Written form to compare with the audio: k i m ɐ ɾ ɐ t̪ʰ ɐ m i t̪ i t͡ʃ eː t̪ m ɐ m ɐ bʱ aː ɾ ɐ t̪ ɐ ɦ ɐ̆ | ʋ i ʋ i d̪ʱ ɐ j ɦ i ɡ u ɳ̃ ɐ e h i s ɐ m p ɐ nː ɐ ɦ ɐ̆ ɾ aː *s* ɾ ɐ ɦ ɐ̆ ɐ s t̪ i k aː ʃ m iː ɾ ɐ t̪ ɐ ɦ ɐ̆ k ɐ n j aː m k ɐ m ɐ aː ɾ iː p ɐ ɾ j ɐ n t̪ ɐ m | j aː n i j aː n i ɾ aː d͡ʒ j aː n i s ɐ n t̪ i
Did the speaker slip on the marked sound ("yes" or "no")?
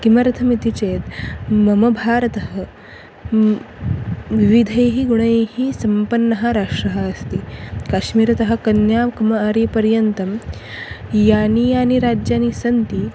yes